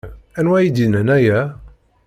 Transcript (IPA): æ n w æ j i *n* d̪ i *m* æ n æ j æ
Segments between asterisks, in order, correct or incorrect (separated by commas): incorrect, incorrect